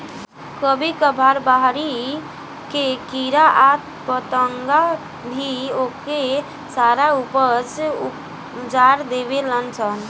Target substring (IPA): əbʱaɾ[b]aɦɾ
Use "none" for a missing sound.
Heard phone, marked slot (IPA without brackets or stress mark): b